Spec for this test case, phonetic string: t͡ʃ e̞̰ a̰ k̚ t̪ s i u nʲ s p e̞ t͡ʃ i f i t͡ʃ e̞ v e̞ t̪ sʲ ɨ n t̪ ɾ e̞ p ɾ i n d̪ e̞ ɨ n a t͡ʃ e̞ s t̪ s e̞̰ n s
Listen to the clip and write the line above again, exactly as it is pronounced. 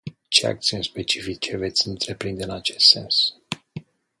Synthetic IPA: t͡ʃ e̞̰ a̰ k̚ t̪ s i u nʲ s p e̞ t͡ʃ i f i t͡ʃ e̞ v e̞ t̪ sʲ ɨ n t̪ ɾ e̞ p ɾ i n d̪ e̞ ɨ n a t͡ʃ e̞ s t̪ s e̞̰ n s